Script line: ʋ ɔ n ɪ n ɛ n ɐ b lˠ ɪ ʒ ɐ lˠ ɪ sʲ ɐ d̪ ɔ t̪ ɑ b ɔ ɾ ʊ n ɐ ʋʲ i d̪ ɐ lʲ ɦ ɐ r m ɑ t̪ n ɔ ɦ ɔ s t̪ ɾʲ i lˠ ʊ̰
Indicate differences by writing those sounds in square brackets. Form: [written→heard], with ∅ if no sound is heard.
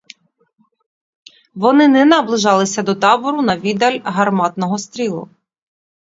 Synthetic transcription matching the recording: ʋ ɔ n ɪ n ɛ n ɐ b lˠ ɪ ʒ [ɐ→ɑ] lˠ ɪ sʲ ɐ d̪ ɔ t̪ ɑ b ɔ ɾ ʊ n ɐ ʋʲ i d̪ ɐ lʲ ɦ ɐ r m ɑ t̪ n ɔ ɦ ɔ s t̪ ɾʲ i lˠ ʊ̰